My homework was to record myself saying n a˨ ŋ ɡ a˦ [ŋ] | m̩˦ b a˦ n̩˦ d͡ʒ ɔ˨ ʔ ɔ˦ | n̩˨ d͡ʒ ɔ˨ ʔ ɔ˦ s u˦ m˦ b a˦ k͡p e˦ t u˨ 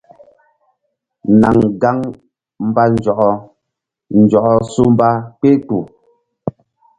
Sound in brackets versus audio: correct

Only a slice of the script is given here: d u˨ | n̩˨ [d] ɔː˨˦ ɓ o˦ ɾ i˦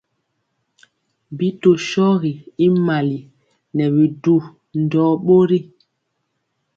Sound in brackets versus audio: correct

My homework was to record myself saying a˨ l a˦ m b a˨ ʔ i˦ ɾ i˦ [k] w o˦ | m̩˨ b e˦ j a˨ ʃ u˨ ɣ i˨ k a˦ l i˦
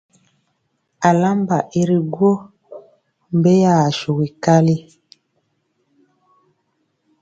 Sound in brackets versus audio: incorrect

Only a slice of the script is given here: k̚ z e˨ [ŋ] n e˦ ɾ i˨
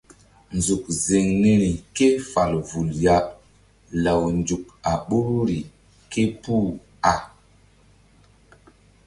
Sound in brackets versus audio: correct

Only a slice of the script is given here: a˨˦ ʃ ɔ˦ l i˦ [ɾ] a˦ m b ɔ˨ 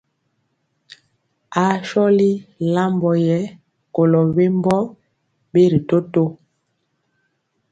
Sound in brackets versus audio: incorrect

